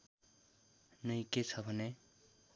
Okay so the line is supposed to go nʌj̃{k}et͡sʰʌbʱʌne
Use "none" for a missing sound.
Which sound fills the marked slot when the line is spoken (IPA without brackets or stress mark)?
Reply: k